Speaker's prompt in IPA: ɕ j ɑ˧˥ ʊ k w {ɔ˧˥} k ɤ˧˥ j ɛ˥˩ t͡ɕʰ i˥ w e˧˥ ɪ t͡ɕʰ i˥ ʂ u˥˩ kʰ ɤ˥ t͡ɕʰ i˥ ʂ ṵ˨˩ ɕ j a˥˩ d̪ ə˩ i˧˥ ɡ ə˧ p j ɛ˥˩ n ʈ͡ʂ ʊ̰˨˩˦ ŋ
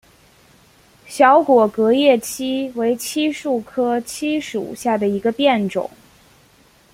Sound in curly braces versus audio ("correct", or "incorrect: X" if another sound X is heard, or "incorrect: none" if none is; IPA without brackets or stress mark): incorrect: ɔ˨˩